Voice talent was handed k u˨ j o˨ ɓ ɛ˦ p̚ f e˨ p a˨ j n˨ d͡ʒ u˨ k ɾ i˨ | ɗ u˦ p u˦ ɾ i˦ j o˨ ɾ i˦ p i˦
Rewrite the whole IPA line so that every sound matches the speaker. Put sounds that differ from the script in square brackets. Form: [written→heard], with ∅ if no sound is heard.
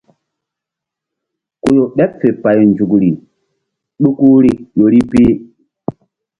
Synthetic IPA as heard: k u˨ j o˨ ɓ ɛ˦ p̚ f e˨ p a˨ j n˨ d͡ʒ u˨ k ɾ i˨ | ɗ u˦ [p→k] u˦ ɾ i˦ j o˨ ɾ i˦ p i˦